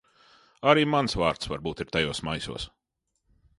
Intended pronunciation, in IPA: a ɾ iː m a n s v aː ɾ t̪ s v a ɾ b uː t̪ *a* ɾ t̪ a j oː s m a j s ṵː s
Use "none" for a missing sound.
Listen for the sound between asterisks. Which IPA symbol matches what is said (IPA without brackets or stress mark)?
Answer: i